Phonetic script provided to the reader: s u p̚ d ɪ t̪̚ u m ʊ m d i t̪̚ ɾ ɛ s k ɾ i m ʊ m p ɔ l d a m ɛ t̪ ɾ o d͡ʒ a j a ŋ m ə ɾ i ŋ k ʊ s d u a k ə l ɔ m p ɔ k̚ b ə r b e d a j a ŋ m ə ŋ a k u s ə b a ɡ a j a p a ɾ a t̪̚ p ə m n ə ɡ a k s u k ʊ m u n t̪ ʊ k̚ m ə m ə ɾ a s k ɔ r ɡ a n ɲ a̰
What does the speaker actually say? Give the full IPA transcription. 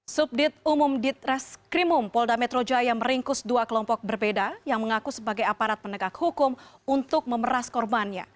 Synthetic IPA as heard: s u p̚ d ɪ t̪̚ u m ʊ m d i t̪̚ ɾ ɛ s k ɾ i m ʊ m p ɔ l d a m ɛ t̪ ɾ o d͡ʒ a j a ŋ m ə ɾ i ŋ k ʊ s d u a k ə l ɔ m p ɔ k̚ b ə r b e d a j a ŋ m ə ŋ a k u s ə b a ɡ a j a p a ɾ a t̪̚ p ə n ə ɡ a k h u k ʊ m u n t̪ ʊ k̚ m ə m ə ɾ a s k ɔ r b a n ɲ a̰